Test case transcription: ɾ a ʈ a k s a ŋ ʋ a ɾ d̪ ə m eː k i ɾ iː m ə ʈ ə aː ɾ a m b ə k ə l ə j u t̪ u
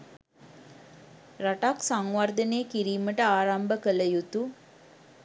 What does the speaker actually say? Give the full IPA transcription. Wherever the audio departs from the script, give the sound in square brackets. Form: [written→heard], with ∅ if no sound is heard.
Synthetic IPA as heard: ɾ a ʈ a k s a ŋ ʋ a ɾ d̪ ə [m→n] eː k i ɾ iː m ə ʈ ə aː ɾ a m b ə k ə l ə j u t̪ u